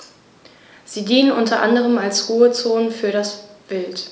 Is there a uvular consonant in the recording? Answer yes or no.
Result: yes